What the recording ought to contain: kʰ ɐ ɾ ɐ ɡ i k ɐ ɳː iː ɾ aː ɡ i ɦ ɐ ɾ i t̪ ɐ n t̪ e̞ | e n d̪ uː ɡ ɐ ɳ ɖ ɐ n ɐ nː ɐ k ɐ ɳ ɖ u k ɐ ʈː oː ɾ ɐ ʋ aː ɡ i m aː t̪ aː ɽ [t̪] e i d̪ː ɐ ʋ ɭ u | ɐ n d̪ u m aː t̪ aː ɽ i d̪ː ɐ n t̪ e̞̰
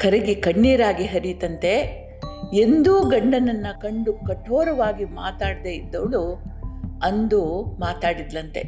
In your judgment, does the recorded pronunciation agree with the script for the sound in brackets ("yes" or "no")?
no